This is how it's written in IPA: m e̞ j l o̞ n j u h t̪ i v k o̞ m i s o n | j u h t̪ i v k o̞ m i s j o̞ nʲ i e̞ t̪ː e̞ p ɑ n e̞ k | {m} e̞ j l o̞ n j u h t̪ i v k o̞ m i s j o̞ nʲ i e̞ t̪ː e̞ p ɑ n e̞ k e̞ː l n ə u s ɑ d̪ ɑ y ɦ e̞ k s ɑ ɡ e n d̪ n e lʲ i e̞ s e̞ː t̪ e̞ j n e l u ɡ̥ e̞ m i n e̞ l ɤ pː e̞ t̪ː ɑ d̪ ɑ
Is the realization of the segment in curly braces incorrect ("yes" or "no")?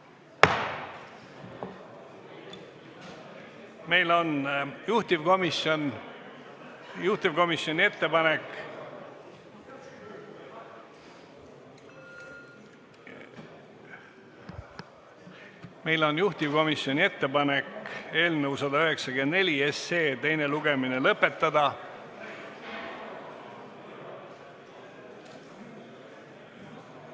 no